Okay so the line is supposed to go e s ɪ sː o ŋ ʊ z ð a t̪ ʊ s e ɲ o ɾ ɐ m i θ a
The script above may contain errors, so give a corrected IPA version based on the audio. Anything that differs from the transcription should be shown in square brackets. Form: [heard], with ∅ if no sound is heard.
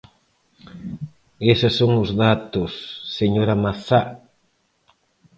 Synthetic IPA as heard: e s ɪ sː o ŋ ʊ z ð a t̪ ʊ [sː] e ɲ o ɾ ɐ m [a] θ a